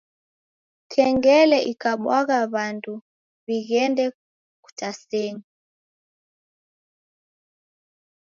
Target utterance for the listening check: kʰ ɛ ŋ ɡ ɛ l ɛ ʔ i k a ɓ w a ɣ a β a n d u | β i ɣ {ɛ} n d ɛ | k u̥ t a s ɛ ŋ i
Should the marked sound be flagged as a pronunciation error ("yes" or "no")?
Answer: no